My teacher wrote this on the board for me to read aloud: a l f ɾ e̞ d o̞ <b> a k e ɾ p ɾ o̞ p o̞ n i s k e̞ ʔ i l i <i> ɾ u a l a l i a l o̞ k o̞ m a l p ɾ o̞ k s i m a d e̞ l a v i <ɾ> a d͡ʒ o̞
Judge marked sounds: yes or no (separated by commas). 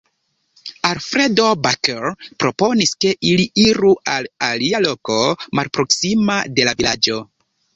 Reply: yes, yes, no